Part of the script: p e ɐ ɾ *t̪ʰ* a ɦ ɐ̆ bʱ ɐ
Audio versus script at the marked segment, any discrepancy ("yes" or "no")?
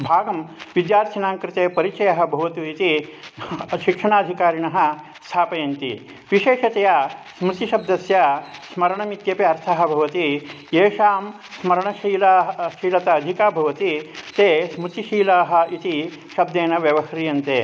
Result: no